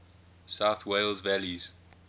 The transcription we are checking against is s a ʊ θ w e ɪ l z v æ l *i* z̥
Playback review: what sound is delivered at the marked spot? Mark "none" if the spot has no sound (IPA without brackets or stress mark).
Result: i